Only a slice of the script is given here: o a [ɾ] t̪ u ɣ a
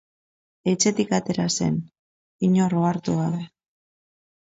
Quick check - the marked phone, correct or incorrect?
correct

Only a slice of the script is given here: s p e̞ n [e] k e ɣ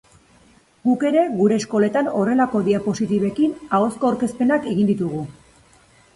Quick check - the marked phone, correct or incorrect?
incorrect: a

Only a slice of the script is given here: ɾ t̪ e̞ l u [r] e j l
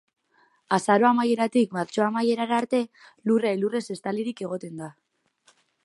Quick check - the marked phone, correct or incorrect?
correct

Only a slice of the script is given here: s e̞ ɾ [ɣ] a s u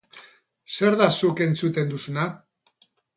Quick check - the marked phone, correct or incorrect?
incorrect: ð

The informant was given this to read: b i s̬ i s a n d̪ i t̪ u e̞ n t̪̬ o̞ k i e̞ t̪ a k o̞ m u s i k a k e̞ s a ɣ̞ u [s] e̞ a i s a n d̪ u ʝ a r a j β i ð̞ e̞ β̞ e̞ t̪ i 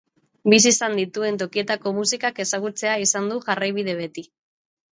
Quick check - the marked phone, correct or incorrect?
incorrect: t͡s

